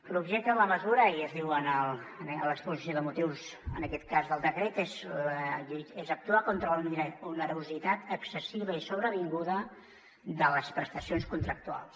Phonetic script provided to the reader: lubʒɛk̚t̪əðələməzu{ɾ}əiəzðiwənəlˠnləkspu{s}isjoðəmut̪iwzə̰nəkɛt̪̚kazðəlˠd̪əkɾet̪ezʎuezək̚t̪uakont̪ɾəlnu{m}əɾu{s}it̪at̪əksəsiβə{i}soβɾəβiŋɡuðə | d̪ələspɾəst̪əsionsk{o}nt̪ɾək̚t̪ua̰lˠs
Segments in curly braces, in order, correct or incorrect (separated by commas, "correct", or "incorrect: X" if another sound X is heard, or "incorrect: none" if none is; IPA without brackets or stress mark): correct, incorrect: z, incorrect: n, incorrect: z, correct, incorrect: u